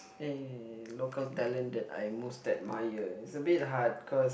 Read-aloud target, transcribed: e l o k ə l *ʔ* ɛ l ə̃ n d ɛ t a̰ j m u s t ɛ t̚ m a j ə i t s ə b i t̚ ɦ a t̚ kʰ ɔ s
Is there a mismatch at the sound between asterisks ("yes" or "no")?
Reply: yes